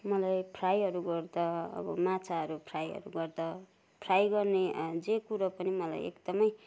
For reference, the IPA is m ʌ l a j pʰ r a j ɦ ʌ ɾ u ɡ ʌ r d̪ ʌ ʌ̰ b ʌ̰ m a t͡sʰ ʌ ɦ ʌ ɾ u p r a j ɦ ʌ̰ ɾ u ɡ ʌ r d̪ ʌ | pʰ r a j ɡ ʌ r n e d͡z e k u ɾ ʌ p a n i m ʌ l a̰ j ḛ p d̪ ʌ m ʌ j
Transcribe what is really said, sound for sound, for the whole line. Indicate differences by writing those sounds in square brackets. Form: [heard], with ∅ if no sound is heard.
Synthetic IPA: m ʌ l a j pʰ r a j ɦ ʌ ɾ u ɡ ʌ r d̪ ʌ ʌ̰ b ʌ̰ m a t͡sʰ [a] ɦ ʌ ɾ u [pʰ] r a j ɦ ʌ̰ ɾ u ɡ ʌ r d̪ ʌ | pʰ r a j ɡ ʌ r n e d͡z e k u ɾ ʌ p [ʌ] n i m ʌ l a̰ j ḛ [k] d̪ ʌ m ʌ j